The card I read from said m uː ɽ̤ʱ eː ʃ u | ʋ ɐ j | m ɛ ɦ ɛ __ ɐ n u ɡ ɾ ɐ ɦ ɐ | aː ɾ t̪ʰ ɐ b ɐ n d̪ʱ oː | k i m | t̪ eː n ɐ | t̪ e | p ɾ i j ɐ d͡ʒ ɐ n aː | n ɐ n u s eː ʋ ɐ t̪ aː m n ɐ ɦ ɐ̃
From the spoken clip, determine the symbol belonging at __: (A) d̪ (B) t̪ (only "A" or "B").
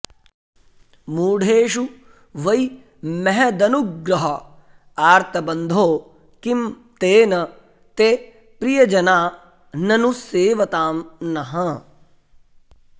A